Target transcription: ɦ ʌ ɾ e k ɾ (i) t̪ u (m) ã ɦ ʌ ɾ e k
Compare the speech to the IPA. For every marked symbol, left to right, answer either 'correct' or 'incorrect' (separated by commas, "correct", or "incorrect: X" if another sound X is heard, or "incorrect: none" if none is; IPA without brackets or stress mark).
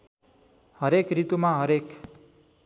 correct, correct